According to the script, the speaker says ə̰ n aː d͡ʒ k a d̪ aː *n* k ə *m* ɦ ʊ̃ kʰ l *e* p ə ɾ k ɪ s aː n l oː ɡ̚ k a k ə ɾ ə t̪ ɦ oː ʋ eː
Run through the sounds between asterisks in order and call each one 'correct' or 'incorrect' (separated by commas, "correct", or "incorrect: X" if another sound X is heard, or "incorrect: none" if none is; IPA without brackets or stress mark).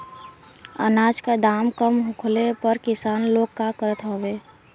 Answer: incorrect: m, correct, correct